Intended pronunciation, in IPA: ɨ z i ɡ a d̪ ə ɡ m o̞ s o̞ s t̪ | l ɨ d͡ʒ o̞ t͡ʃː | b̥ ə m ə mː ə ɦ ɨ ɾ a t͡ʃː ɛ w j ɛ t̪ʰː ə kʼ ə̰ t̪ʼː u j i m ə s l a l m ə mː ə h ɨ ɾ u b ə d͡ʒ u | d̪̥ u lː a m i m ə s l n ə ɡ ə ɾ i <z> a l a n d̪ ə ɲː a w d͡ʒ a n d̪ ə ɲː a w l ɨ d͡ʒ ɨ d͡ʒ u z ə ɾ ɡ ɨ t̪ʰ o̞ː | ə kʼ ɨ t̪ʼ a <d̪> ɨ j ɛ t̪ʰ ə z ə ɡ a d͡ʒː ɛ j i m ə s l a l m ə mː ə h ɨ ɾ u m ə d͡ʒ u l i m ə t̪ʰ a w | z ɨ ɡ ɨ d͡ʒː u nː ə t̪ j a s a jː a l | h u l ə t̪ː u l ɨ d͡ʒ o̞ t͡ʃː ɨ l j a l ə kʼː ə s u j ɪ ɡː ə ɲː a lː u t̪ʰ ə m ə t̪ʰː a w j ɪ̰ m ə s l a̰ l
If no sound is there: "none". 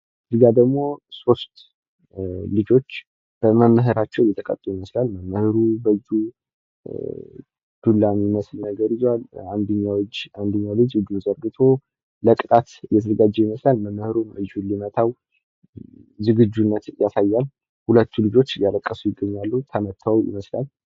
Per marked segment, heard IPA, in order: z, t̪

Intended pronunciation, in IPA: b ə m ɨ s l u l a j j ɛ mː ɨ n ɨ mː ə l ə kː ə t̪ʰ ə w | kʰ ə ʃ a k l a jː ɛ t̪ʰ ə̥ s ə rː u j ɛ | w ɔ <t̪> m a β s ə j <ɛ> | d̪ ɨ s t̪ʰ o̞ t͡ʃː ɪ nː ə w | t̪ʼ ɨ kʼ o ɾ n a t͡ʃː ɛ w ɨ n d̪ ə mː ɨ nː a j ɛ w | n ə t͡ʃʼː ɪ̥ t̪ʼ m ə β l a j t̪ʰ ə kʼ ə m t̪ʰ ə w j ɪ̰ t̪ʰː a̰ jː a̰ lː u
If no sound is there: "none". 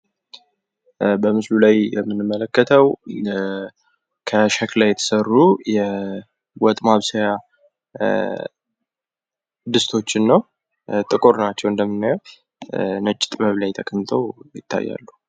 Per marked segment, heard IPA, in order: t̪ʼ, a

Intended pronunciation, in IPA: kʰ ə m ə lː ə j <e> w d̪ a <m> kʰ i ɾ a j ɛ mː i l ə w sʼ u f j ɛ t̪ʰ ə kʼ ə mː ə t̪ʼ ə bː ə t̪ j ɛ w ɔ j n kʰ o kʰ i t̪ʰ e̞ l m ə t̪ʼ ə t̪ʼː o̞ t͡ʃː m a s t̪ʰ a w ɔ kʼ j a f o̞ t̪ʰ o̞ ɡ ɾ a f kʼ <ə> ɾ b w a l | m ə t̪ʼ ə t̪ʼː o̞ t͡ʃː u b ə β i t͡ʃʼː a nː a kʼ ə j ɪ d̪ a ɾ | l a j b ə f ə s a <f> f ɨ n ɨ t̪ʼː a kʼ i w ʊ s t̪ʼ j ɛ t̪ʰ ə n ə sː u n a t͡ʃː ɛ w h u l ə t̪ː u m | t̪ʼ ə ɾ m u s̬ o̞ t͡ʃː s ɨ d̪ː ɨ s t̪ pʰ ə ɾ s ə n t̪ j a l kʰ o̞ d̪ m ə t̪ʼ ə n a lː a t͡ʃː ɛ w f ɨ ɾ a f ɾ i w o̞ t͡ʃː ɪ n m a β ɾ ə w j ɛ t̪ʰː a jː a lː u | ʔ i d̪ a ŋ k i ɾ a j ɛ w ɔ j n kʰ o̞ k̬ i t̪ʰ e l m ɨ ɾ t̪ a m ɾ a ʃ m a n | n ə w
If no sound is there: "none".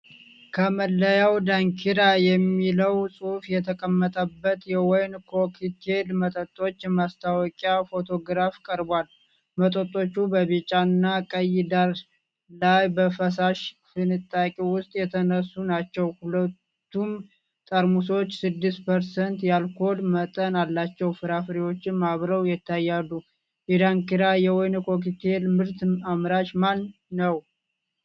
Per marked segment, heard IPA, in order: a, ŋ, ə, ʃ

